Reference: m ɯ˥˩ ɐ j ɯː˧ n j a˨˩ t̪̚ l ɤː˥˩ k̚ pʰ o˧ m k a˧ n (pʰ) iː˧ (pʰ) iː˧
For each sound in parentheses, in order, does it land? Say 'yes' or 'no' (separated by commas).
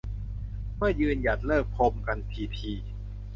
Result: yes, yes